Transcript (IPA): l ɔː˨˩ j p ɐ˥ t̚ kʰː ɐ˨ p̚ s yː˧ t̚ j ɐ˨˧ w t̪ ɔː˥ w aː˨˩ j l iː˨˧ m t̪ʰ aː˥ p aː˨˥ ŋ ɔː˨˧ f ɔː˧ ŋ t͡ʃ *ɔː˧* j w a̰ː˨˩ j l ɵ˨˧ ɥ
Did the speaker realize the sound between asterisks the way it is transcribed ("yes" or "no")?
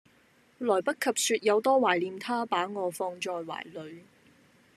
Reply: yes